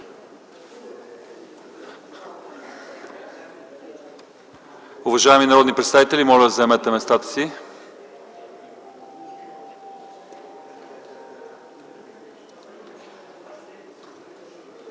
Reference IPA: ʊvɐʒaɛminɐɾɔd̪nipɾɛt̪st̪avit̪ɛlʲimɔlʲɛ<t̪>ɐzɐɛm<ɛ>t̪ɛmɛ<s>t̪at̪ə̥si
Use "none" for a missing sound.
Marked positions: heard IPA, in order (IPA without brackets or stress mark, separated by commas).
d̪, ɛ, s